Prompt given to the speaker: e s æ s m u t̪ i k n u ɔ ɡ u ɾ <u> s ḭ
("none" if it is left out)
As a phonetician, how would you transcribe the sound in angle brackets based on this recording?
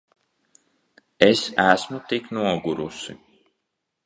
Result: u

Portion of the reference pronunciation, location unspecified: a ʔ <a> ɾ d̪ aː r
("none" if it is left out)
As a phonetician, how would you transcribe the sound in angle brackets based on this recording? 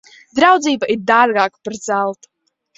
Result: i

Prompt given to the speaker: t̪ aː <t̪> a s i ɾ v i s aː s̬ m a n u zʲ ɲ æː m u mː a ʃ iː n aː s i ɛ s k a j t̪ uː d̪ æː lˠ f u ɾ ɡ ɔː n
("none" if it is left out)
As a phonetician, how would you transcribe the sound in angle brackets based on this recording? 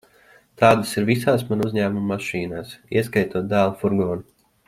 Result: d̪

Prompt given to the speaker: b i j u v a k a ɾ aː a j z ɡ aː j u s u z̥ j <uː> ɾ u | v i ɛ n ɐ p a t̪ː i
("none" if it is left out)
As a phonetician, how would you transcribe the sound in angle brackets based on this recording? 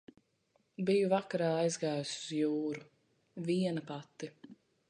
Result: uː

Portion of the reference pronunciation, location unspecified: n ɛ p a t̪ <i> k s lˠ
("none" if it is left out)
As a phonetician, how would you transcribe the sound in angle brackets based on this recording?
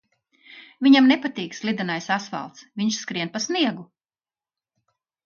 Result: iː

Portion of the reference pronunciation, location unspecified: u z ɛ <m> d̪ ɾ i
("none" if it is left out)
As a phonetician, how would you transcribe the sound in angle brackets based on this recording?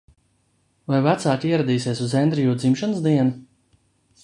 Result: n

